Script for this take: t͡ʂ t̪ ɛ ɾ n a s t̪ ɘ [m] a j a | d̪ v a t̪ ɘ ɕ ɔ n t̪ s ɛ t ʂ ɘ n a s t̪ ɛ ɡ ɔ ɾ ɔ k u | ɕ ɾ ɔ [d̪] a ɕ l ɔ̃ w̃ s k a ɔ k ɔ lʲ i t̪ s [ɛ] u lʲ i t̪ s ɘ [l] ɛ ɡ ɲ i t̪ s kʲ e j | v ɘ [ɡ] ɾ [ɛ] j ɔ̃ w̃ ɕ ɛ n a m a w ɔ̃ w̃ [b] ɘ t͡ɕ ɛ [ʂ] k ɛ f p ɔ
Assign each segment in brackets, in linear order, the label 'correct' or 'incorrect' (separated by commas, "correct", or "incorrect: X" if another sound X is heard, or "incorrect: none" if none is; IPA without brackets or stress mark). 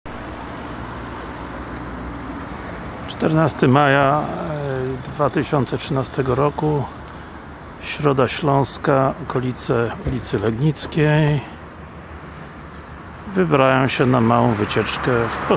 correct, correct, correct, correct, incorrect: b, incorrect: a, incorrect: v, incorrect: t͡ʂ